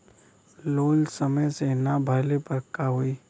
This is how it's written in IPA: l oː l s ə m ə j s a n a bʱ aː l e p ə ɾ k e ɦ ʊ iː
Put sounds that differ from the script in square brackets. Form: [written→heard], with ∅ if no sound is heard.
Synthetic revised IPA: l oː l s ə m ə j s [a→e] n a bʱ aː l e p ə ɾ k [e→a] ɦ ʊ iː